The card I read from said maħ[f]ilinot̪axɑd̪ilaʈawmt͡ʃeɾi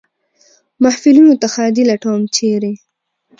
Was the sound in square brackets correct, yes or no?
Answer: yes